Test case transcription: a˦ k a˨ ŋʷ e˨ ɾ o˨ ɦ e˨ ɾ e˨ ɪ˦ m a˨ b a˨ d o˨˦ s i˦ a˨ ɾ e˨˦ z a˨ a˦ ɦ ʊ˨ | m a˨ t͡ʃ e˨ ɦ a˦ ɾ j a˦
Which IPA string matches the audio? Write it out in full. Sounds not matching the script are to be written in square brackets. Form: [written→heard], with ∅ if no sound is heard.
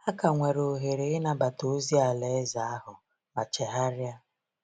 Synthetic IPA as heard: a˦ k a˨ ŋʷ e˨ ɾ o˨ ɦ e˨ ɾ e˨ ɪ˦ [m→n] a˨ b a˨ [d→t] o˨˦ [s→z] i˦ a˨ [ɾ→l] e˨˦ z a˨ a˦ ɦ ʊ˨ | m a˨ t͡ʃ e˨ ɦ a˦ ɾ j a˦

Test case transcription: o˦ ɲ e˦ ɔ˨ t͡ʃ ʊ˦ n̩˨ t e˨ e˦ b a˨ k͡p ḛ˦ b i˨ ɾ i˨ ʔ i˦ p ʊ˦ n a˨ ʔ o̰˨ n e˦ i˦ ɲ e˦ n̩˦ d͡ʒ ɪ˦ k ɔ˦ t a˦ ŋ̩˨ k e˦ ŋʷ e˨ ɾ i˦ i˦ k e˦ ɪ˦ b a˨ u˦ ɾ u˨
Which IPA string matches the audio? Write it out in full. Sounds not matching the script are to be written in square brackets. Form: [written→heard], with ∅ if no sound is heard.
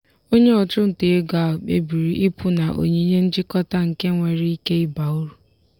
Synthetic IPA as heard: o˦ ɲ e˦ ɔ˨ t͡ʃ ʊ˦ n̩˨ t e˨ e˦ [b→ɡ] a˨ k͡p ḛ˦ b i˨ ɾ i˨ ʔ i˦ p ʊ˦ n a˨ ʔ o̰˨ [n→ɲ] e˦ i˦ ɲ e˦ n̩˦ d͡ʒ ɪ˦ k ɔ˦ t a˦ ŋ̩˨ k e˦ ŋʷ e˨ ɾ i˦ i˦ k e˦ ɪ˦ b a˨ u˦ ɾ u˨

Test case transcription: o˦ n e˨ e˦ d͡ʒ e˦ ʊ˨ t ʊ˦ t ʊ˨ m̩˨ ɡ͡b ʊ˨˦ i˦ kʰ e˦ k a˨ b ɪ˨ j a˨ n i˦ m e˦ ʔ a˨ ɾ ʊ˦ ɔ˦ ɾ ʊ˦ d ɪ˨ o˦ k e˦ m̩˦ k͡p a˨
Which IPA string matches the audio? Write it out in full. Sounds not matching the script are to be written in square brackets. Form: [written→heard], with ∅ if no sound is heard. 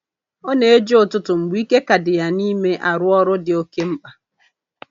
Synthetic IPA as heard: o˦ n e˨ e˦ d͡ʒ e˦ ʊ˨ t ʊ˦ t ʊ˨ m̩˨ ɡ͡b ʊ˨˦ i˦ [kʰ→k] e˦ k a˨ [b→d] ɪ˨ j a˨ n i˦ m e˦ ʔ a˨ ɾ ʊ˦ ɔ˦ ɾ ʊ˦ d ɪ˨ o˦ k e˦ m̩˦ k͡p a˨

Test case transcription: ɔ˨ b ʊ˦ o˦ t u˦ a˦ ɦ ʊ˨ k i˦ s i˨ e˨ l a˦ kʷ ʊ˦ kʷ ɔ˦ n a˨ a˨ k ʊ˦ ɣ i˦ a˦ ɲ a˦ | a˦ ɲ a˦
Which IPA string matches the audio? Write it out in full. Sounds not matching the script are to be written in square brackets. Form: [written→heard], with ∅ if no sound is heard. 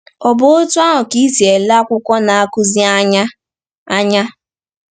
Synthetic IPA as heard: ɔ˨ b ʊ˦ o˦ t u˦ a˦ ɦ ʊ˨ k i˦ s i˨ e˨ l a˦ kʷ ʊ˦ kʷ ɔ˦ n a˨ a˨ k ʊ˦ [ɣ→z] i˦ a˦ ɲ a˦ | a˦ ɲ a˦

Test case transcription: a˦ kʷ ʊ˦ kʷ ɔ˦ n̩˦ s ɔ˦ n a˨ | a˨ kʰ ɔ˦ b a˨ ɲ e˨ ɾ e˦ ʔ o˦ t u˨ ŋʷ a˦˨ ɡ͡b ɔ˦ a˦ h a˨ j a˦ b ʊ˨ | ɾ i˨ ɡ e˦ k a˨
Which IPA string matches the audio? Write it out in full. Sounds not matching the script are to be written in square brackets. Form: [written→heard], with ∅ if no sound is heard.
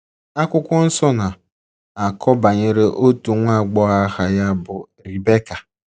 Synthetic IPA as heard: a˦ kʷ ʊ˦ kʷ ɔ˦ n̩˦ s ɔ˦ n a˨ | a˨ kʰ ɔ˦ b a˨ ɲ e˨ ɾ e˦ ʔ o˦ t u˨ ŋʷ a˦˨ ɡ͡b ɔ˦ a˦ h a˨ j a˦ b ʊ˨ | ɾ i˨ [ɡ→b] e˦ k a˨

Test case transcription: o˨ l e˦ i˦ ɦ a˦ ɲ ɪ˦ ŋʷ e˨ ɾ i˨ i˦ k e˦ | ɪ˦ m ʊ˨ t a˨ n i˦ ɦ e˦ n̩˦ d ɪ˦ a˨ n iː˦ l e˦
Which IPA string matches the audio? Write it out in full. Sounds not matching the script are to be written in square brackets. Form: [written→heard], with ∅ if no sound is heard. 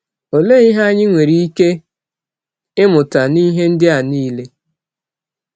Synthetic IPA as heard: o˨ l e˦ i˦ ɦ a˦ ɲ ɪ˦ ŋʷ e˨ ɾ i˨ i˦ k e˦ | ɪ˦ m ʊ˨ t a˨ n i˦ ɦ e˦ n̩˦ d ɪ˦ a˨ n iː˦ l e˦

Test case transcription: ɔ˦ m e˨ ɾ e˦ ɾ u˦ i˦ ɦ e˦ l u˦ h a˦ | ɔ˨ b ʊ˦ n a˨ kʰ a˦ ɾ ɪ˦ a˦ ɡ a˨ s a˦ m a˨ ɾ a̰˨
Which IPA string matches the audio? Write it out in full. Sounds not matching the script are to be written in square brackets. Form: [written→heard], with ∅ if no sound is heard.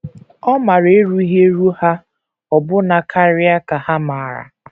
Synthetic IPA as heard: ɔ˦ m [e˨→a˨] ɾ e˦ ɾ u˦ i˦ ɦ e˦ [l→ɾ] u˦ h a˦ | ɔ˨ b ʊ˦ n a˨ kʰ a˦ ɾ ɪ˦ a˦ [ɡ→k] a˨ [s→h] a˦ m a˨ ɾ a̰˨

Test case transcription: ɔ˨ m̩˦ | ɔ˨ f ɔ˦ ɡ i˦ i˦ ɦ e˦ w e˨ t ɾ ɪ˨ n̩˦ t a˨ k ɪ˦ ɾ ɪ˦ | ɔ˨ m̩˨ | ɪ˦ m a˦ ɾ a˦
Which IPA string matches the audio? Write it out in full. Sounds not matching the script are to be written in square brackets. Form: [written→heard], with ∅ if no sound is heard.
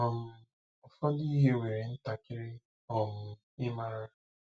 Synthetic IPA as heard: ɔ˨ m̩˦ | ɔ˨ f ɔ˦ [ɡ→d] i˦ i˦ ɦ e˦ w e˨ [t→∅] ɾ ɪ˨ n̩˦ t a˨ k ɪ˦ ɾ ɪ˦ | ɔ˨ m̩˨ | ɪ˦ m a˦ ɾ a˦

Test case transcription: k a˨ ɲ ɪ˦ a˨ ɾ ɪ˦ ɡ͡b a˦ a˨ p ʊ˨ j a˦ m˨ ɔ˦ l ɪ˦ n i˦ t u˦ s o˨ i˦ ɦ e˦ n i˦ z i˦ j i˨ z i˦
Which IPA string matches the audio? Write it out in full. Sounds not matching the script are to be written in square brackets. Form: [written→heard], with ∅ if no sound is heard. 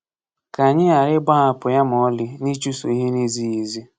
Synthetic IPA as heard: k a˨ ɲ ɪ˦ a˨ ɾ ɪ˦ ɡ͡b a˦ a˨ p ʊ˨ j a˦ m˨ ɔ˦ l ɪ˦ n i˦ [t→t͡ʃ] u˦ s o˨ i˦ ɦ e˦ n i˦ z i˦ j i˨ z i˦

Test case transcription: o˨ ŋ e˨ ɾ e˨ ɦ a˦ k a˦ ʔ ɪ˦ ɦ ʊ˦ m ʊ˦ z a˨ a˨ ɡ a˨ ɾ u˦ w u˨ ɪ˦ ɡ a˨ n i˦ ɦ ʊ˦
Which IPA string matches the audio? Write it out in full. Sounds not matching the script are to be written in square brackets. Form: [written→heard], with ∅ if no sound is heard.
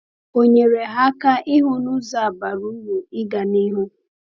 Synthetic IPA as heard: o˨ [ŋ→ɲ] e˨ ɾ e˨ ɦ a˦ k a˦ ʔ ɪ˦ ɦ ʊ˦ [m→n] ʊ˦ z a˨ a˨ [ɡ→b] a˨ ɾ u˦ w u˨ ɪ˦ ɡ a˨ n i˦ ɦ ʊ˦

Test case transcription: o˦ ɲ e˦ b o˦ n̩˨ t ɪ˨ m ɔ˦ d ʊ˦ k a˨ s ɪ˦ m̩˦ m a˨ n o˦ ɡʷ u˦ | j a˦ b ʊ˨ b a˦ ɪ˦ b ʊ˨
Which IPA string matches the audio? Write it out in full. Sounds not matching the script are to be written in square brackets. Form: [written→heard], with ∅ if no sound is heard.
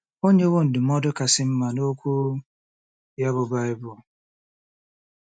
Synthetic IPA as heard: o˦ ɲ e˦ [b→w] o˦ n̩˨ [t→d] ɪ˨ m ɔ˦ d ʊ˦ k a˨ s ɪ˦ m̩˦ m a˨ n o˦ [ɡʷ→kʷ] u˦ | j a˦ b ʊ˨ b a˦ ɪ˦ b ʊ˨

